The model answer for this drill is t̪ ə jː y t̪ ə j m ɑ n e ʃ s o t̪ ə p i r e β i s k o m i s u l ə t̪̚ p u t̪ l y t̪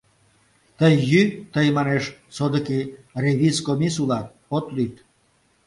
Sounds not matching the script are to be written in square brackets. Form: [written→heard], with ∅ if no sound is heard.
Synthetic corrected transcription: t̪ ə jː y t̪ ə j m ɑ n e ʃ s o [t̪→d̪] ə [p→k] i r e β i s k o m i s u l [ə→ɑ] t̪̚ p [u→o] t̪ l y t̪